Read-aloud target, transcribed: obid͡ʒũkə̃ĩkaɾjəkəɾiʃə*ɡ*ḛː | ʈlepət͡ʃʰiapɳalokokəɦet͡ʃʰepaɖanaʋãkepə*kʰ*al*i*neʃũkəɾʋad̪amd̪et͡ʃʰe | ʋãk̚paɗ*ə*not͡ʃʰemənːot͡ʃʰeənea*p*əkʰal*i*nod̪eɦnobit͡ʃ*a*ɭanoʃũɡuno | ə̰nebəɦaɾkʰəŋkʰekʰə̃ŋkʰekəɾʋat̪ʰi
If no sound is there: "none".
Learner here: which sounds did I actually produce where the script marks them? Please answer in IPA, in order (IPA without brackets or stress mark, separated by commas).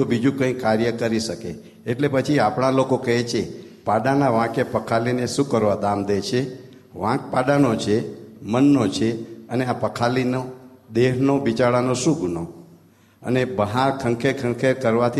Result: k, kʰ, i, a, p, i, a